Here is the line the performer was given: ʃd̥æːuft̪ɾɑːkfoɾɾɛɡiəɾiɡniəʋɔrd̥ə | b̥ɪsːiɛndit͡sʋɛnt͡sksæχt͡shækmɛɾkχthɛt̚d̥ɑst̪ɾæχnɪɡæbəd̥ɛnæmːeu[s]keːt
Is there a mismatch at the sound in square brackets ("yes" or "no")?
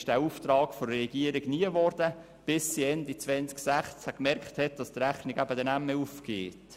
yes